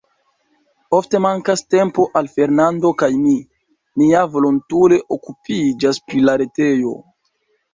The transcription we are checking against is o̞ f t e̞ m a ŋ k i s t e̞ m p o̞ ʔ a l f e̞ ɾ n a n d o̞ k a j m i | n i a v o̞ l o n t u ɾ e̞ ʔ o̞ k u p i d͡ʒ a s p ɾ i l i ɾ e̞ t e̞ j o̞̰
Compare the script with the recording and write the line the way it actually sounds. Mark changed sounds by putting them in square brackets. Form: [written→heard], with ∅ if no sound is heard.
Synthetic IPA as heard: o̞ f t e̞ m a ŋ k [i→a] s t e̞ m p o̞ ʔ a l f e̞ ɾ n a n d o̞ k a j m i | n i a v o̞ l o n t u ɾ e̞ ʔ o̞ k u p i d͡ʒ a s p ɾ i l [i→a] ɾ e̞ t e̞ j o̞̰